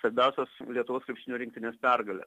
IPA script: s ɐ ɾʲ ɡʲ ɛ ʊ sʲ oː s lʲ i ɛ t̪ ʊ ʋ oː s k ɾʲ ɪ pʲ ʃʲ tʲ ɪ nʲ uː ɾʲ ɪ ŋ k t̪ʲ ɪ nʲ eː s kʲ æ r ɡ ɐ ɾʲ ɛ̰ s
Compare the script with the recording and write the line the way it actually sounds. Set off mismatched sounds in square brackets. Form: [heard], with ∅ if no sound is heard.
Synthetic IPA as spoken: s ɐ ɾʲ [bʲ] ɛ ʊ sʲ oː s lʲ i ɛ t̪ ʊ ʋ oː s k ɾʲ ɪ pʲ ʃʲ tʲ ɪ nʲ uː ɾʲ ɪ ŋ k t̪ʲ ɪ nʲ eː s [pʲ] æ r ɡ ɐ [lʲ] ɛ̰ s